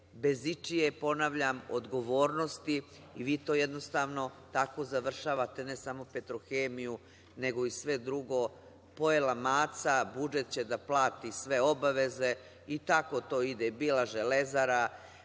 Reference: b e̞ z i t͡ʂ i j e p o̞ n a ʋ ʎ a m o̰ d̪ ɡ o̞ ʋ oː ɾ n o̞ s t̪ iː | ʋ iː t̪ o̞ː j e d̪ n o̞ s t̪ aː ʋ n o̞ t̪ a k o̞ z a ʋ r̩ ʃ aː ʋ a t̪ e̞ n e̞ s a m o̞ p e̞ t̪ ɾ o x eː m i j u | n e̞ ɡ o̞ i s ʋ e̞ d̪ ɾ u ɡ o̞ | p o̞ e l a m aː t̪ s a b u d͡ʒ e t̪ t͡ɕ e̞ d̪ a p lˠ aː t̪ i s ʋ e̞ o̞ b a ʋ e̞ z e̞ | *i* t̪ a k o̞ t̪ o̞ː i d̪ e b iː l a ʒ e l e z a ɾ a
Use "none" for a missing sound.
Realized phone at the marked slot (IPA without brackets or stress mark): i